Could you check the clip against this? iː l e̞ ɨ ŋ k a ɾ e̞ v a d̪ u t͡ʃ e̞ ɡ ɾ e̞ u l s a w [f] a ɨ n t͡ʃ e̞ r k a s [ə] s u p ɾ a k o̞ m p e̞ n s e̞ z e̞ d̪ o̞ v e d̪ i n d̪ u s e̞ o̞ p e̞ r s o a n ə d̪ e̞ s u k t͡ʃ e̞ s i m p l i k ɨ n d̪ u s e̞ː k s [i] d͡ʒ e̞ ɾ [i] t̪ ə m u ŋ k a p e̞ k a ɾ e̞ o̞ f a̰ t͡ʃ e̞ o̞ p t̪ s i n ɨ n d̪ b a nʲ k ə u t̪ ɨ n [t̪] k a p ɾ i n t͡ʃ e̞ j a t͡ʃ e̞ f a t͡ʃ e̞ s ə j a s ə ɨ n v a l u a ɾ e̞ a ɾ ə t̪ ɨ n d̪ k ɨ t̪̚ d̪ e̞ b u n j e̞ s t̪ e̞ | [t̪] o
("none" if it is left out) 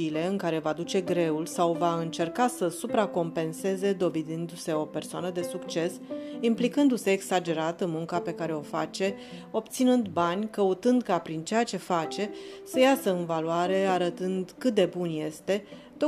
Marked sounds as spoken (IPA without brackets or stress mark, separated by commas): v, ə, a, a, d̪, t̪